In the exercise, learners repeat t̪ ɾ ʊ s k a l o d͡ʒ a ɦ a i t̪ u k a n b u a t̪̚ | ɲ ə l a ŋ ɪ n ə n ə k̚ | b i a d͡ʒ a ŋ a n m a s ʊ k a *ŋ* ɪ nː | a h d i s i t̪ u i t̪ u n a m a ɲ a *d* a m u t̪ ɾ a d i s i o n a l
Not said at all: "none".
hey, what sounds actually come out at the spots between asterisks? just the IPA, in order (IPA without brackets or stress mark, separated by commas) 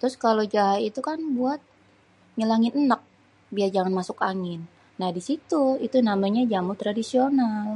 ŋ, d͡ʒ